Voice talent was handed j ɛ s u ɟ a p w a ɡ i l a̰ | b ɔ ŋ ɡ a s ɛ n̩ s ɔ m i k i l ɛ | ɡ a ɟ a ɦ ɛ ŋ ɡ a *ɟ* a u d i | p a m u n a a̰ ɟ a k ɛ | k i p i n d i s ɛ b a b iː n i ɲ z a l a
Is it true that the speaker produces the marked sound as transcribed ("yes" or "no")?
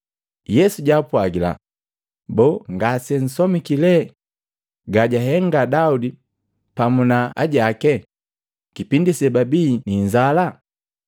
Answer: no